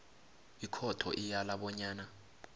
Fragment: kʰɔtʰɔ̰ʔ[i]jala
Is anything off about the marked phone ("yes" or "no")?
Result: no